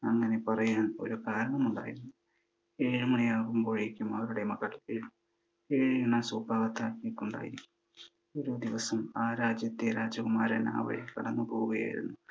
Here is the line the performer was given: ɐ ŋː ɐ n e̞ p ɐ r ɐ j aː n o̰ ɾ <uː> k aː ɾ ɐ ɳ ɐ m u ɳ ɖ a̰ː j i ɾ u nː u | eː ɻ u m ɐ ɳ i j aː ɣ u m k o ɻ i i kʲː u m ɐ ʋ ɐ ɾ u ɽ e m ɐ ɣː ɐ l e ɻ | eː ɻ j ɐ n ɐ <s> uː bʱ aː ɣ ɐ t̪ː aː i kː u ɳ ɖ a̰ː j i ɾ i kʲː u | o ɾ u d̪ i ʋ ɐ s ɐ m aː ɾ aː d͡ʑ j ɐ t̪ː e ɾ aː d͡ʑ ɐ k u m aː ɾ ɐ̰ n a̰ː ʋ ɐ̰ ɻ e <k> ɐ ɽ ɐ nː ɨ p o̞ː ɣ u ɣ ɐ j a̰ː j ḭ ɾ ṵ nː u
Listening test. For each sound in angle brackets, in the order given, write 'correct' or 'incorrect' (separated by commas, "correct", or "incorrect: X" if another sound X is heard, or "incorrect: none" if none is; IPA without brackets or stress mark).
incorrect: u, correct, correct